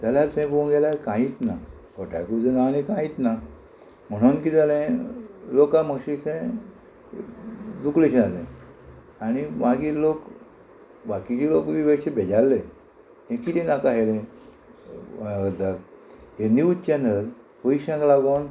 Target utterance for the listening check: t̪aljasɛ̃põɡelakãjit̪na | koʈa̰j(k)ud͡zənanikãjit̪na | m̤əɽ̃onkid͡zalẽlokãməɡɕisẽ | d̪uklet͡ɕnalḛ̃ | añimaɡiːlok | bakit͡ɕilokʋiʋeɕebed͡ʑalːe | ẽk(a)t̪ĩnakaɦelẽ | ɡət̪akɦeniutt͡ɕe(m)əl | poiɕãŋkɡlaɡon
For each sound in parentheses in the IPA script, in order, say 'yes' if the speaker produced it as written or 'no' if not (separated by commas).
yes, no, no